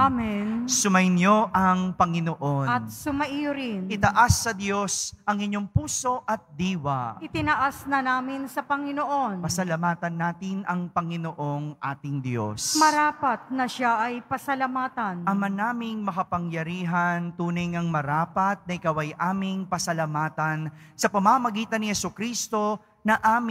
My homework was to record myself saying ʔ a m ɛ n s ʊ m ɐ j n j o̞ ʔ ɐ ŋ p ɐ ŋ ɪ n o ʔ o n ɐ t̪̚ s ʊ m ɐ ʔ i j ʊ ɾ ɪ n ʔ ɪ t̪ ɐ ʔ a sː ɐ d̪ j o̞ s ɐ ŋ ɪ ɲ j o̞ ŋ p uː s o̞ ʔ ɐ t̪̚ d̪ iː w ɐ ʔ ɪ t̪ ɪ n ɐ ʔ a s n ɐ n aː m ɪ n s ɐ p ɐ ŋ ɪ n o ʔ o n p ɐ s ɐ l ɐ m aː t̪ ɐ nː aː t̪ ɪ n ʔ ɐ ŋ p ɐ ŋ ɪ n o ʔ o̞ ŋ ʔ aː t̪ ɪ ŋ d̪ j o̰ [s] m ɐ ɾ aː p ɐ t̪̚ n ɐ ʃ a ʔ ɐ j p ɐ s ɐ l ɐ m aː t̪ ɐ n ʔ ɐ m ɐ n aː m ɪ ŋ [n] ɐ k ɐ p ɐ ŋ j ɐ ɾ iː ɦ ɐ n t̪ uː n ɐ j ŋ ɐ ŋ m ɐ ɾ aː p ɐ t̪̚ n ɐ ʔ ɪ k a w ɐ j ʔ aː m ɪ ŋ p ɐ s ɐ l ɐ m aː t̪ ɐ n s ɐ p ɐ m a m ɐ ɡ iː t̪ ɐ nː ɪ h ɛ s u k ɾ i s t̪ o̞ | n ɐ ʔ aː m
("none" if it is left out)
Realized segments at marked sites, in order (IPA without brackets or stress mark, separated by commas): s, m